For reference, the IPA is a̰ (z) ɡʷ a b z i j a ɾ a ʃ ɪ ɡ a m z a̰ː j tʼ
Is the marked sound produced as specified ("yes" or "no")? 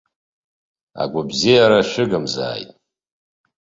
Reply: no